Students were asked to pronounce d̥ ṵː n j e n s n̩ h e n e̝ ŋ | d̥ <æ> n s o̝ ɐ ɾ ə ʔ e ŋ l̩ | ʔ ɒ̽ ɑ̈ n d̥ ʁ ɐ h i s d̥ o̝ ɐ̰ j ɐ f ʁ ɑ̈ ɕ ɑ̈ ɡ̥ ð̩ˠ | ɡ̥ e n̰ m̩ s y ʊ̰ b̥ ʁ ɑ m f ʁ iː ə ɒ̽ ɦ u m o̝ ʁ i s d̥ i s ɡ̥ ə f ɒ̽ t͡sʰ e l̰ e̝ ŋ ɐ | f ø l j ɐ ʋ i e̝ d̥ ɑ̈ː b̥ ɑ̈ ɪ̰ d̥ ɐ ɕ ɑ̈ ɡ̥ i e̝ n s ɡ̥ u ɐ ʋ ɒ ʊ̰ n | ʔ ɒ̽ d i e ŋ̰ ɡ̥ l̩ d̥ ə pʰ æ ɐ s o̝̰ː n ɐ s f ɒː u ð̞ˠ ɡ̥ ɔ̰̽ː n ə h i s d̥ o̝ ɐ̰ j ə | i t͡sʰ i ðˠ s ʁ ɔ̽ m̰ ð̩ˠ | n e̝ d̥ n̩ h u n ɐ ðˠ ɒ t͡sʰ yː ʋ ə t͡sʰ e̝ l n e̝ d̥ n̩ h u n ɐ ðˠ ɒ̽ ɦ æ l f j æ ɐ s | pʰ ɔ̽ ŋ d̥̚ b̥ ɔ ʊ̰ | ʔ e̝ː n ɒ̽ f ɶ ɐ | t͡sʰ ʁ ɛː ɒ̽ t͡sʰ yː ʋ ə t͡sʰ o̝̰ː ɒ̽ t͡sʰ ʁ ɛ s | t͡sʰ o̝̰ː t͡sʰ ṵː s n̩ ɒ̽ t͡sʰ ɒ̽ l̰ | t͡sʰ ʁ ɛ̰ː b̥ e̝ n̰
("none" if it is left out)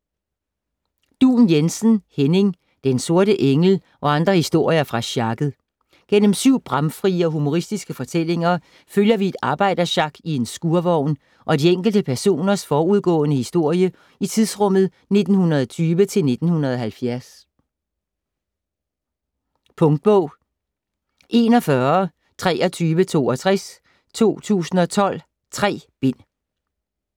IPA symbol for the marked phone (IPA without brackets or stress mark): e